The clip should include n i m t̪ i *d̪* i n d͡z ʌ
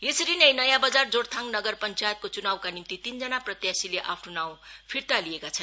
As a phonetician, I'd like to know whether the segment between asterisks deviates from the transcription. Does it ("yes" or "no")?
yes